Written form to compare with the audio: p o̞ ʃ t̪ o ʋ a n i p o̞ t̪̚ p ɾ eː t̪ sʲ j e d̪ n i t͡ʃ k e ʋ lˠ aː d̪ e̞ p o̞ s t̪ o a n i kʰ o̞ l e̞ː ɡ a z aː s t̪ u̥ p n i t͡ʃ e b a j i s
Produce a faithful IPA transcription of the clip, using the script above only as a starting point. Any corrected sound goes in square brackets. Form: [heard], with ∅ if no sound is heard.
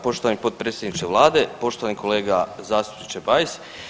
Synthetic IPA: p o̞ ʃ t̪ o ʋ a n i p o̞ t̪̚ p ɾ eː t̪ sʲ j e d̪ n i t͡ʃ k e ʋ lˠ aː d̪ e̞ p o̞ [ʃ] t̪ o a n i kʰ o̞ l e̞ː ɡ a z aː s t̪ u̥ p n i t͡ʃ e b a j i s